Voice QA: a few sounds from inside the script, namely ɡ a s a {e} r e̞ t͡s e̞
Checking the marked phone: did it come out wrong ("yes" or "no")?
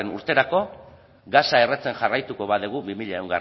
no